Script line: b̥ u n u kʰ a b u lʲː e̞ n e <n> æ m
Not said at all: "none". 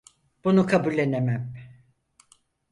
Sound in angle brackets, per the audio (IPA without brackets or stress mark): m